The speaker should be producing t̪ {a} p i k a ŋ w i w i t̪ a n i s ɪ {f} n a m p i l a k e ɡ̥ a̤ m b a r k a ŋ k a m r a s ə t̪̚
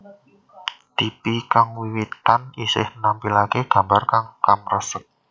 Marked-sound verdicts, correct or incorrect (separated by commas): incorrect, incorrect